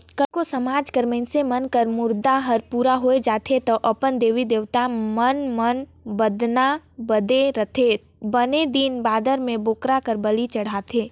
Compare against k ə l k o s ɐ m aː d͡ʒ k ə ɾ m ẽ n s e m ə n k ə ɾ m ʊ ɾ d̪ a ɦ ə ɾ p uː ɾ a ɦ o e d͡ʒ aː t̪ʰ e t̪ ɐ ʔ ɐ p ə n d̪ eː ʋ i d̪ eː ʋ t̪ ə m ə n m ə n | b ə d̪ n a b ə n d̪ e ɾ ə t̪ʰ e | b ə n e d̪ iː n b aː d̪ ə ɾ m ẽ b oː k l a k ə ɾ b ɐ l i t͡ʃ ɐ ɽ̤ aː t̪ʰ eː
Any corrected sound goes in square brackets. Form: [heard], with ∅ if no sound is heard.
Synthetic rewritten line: k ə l k o s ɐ m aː d͡ʒ k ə ɾ m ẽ n s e m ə n k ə ɾ m ʊ ɾ d̪ a ɦ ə ɾ p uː ɾ a ɦ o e d͡ʒ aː t̪ʰ e t̪ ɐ ʔ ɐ p ə n d̪ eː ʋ i d̪ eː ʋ t̪ [a] m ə n m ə n | b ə d̪ n a b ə [∅] d̪ e ɾ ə t̪ʰ e | b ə n e d̪ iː n b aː d̪ ə ɾ m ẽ b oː k [ɾ] a k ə ɾ b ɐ l i t͡ʃ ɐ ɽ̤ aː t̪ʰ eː